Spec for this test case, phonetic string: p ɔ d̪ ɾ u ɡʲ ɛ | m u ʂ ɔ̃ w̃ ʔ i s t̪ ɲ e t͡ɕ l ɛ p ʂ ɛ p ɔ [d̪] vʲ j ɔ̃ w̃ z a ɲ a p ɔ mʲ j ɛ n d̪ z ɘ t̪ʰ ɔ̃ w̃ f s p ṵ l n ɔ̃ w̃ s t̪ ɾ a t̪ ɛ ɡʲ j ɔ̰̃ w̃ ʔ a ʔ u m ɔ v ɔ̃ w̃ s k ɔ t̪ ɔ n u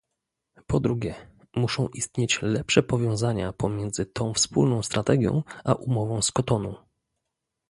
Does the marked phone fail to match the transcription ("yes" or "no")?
yes